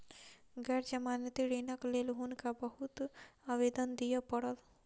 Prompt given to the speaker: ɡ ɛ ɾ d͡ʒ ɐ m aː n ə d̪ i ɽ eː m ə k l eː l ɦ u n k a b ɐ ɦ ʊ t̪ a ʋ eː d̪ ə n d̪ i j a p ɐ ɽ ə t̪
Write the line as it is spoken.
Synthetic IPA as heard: ɡ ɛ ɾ d͡ʒ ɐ m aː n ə t̪ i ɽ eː n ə k l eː l ɦ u n k a b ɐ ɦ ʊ t̪ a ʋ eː d̪ ə n d̪ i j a p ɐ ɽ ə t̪